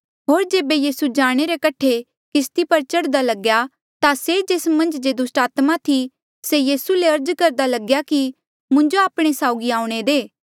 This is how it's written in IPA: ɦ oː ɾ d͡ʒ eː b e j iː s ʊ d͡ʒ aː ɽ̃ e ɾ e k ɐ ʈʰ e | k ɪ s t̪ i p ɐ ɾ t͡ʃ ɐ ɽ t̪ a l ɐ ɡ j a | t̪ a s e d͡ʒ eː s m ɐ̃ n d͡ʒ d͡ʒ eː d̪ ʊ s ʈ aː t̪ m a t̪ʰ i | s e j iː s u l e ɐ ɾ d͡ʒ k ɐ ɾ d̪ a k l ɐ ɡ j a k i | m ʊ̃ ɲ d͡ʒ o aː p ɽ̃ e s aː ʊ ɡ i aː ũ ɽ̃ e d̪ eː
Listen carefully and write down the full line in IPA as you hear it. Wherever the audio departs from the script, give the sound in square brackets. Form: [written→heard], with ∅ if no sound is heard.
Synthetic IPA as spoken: ɦ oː ɾ d͡ʒ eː b e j iː s [ʊ→u] d͡ʒ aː ɽ̃ e ɾ e k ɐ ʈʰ e | k ɪ s t̪ i p ɐ ɾ t͡ʃ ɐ ɽ [t̪→d̪] a l ɐ ɡ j a | t̪ a s e d͡ʒ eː s m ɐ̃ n d͡ʒ d͡ʒ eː d̪ ʊ s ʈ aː t̪ m a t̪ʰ i | s e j iː s u l e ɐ ɾ d͡ʒ k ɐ ɾ d̪ a [k→∅] l ɐ ɡ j a k i | m ʊ̃ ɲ d͡ʒ o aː p ɽ̃ e s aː ʊ ɡ i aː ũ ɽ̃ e d̪ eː